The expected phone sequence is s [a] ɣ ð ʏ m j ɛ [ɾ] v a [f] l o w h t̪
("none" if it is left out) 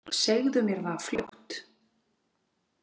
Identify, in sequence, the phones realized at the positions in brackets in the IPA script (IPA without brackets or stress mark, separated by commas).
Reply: e, ɾ, f